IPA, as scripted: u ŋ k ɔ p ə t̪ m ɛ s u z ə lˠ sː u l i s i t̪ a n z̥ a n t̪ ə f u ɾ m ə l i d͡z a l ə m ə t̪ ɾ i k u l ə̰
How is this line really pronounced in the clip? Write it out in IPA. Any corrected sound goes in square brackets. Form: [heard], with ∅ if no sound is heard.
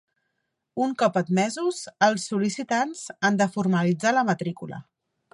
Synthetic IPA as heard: u ŋ k ɔ p ə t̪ m ɛ [z] u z ə lˠ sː u l i s i t̪ a n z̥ a n [d̪] ə f u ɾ m ə l i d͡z a l ə m ə t̪ ɾ i k u l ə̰